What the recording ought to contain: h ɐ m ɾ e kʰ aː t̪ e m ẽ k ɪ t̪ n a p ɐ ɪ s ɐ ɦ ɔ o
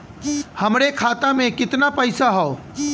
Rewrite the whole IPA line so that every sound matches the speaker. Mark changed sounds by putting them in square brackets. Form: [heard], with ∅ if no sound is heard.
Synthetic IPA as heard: h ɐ m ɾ e kʰ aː t̪ [a] m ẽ k ɪ t̪ n a p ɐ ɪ s [a] ɦ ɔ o

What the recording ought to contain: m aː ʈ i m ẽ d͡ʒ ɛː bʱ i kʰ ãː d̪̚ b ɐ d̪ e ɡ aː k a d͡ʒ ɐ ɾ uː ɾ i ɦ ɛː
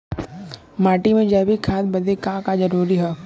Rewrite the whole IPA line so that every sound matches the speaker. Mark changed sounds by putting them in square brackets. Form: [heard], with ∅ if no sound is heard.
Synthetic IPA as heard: m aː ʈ i m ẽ d͡ʒ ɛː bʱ i kʰ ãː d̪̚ b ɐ d̪ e [k] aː k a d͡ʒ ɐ ɾ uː ɾ i ɦ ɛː

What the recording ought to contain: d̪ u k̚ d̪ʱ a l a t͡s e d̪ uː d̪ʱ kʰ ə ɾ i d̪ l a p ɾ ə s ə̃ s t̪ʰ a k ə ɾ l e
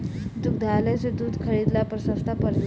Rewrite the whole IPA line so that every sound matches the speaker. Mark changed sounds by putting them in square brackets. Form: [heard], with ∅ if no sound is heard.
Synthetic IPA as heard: d̪ u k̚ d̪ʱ a l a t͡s e d̪ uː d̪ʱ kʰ ə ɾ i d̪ l a p ɾ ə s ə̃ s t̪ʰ a [p] ə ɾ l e

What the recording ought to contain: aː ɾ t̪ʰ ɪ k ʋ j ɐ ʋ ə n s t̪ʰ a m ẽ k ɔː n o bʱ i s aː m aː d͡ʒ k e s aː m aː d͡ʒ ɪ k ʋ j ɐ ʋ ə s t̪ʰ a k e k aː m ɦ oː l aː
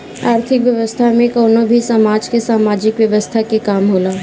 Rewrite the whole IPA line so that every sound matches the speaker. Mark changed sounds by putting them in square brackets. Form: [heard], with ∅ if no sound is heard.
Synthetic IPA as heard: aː ɾ t̪ʰ ɪ k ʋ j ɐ ʋ ə [∅] s t̪ʰ a m ẽ k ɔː n o bʱ i s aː m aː d͡ʒ k e s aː m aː d͡ʒ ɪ k ʋ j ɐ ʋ ə s t̪ʰ a k e k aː m ɦ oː l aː

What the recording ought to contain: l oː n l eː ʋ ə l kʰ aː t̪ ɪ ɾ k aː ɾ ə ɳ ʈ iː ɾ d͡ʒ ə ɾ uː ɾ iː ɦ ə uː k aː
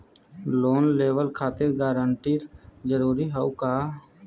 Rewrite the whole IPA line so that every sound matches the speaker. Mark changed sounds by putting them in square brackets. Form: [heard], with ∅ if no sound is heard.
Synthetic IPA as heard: l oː n l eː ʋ ə l kʰ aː t̪ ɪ ɾ [ɡ] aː ɾ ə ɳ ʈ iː ɾ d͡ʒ ə ɾ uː ɾ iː ɦ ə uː k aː

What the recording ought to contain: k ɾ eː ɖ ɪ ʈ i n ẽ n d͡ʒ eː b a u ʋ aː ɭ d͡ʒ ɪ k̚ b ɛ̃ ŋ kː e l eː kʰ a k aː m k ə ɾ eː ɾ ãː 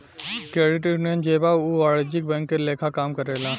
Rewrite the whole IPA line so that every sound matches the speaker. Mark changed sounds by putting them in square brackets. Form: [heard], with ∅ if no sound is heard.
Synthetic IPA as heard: k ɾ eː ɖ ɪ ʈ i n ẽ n d͡ʒ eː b a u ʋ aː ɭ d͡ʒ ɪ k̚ b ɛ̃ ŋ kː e l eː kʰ a k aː m k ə ɾ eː [l] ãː

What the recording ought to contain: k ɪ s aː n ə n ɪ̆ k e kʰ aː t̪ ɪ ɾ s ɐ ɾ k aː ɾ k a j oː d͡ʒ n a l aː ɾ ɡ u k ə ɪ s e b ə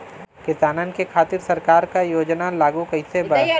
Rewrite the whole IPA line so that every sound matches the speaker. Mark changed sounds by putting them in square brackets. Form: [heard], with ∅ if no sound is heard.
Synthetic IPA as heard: k ɪ s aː n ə n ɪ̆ k e kʰ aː t̪ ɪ ɾ s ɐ ɾ k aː ɾ k a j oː d͡ʒ n a l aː [∅] ɡ u k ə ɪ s e b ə

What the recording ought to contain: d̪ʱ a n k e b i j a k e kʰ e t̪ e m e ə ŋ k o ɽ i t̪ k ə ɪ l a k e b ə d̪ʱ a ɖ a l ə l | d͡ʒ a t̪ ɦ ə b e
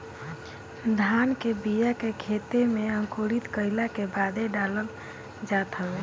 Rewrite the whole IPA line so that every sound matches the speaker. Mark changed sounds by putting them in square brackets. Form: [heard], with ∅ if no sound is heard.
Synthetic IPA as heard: d̪ʱ a n k e b i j a k e kʰ e t̪ e m e ə ŋ k o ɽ i t̪ k ə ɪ l a k e b [a] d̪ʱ [e] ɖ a l ə l | d͡ʒ a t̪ ɦ ə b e

